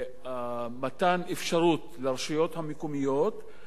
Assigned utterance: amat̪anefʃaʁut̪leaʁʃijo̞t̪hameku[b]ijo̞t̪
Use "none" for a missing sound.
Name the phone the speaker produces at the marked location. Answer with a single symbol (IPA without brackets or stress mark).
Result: m